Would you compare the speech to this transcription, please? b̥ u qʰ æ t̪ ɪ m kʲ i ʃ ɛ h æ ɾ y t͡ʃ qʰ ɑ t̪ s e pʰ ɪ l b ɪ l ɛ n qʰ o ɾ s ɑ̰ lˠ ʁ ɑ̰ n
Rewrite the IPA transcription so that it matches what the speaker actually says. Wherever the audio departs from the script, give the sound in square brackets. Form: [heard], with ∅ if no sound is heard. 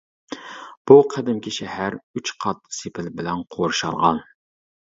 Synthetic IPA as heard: b̥ u qʰ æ [d̪] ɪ m kʲ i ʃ ɛ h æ ɾ y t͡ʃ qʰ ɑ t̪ s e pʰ ɪ l b ɪ l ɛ n qʰ o ɾ [ʃ] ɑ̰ lˠ ʁ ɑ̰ n